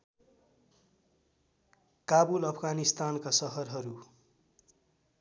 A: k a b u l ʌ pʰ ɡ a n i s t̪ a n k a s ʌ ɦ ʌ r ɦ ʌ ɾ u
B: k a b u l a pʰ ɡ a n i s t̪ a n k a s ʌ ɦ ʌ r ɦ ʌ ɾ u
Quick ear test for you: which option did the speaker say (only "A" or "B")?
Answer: A